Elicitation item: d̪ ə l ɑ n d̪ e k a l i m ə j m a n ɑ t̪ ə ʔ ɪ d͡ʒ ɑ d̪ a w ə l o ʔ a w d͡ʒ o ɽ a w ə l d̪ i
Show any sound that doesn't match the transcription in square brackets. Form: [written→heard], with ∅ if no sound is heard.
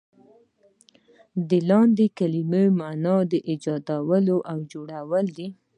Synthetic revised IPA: d̪ ə l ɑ n d̪ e k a l i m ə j m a n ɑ [t̪→d̪] ə ʔ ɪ d͡ʒ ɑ d̪ a w ə l o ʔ a w d͡ʒ o ɽ a w ə l d̪ i